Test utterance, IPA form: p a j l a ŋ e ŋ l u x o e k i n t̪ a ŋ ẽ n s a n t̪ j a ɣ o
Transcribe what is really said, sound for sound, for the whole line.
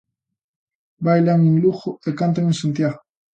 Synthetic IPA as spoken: b a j l a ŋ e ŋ l u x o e k a n t̪ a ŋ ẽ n s a n t̪ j a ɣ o